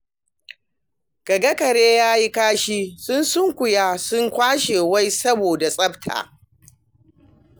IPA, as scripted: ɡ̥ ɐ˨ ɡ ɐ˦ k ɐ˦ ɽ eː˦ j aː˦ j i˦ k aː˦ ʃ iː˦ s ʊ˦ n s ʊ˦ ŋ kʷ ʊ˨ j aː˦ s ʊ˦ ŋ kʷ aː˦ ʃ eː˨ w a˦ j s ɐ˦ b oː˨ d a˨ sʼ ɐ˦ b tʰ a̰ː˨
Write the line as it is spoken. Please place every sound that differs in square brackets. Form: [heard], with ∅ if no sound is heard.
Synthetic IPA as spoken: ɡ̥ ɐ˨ ɡ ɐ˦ k [ɐ˨] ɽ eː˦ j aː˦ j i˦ k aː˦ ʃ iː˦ s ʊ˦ n s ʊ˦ ŋ kʷ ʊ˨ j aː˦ s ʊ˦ ŋ kʷ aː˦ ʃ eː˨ w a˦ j s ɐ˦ b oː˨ d a˨ sʼ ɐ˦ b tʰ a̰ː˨

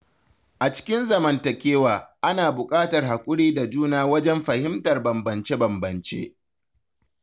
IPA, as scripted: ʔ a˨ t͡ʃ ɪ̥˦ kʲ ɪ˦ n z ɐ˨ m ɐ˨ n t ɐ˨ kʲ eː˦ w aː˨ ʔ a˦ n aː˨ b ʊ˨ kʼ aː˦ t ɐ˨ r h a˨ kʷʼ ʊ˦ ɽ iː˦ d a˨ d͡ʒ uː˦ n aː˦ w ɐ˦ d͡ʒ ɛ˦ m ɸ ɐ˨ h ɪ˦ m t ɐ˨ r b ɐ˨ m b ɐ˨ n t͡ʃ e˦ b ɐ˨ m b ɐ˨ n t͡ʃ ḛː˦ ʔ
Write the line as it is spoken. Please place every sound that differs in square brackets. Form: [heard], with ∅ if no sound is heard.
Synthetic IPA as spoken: ʔ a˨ t͡ʃ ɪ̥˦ kʲ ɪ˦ n z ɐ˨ m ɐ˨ n t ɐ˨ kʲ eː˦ w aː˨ ʔ a˦ n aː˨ b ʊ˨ kʼ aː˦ t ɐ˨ r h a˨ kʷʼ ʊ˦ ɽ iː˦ d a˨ d͡ʒ uː˦ n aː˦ w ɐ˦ d͡ʒ ɛ˦ m ɸ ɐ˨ h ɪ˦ m t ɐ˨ r b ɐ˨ m b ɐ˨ n t͡ʃ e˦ b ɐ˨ m b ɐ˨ n t͡ʃ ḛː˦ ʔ

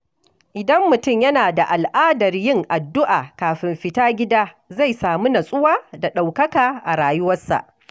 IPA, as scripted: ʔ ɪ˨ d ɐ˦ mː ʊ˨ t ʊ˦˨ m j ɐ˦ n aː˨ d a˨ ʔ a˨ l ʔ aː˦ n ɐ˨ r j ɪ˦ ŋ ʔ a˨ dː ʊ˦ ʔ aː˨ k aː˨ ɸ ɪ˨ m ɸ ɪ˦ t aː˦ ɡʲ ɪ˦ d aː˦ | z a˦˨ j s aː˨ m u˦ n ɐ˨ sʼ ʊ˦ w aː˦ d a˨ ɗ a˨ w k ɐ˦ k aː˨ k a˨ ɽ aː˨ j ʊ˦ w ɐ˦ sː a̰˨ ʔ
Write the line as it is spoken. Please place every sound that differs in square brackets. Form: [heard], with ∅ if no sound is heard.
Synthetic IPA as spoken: ʔ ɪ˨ d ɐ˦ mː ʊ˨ t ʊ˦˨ m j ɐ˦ n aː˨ d a˨ ʔ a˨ l ʔ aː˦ [d] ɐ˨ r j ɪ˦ ŋ ʔ a˨ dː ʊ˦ ʔ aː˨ k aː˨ ɸ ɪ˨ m ɸ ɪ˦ t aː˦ ɡʲ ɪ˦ d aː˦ | z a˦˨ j s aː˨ m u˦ n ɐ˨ sʼ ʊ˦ w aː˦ d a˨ ɗ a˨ w k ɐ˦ k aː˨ [ʔ] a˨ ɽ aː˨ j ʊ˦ w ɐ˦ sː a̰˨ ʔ

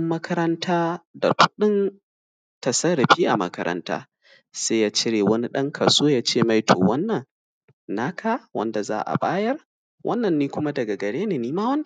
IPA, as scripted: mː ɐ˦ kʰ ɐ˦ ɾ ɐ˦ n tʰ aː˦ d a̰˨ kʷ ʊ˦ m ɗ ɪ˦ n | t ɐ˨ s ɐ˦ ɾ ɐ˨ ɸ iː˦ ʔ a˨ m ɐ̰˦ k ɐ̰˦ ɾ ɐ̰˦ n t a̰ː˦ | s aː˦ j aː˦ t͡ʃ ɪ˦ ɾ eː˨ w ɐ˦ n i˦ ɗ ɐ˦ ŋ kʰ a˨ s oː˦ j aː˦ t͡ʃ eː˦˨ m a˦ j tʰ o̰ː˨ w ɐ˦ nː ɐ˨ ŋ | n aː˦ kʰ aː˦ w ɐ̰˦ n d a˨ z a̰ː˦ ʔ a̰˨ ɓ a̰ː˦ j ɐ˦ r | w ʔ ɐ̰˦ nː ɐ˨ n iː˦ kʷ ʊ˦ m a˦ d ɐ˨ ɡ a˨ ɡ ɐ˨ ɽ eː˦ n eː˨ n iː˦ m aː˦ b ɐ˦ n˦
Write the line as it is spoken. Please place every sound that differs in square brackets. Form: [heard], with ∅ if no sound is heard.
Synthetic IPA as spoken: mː ɐ˦ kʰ ɐ˦ ɾ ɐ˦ n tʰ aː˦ d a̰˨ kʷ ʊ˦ [∅] ɗ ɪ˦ n | t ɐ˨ s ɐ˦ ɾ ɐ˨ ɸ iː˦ ʔ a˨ m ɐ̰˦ k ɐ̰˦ ɾ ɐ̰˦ n t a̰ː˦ | s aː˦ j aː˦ t͡ʃ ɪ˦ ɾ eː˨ w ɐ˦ n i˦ ɗ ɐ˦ ŋ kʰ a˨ s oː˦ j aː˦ t͡ʃ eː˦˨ m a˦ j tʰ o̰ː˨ w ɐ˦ nː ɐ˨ ŋ | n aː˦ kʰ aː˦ w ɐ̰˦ n d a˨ z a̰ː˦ ʔ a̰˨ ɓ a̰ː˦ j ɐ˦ r | w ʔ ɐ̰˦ nː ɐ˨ [nː] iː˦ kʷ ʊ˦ m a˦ d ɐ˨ ɡ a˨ ɡ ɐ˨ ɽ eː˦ n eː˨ n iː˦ m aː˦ [w] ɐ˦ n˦

